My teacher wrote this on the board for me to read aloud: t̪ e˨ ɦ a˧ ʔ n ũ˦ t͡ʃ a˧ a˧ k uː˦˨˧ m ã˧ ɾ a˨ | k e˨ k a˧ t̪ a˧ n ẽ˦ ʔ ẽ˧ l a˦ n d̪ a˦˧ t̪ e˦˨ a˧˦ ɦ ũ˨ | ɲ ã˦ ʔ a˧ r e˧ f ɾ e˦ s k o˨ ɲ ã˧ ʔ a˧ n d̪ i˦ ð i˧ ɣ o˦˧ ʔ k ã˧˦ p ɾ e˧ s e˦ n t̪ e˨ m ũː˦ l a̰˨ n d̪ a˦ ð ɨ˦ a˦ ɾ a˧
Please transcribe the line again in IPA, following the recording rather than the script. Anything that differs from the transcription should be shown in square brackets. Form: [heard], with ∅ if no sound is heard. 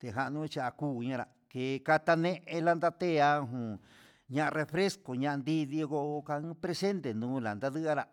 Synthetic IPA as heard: t̪ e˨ ɦ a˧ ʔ n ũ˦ t͡ʃ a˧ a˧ k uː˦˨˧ [ɲ] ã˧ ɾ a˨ | k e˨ k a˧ t̪ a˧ n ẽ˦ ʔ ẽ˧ l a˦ n d̪ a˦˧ t̪ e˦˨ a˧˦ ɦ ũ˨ | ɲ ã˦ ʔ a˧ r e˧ f ɾ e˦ s k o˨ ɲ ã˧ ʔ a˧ n d̪ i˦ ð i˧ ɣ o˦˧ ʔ k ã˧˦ p ɾ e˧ s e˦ n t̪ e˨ [n] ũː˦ l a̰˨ n d̪ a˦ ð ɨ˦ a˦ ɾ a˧